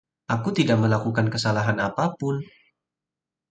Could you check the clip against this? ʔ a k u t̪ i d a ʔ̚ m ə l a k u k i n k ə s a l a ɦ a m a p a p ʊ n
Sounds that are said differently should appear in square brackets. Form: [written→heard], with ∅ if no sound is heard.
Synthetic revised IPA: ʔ a k u t̪ i d a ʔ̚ m ə l a k u k [i→a] n k ə s a l a ɦ a [m→n] a p a p ʊ n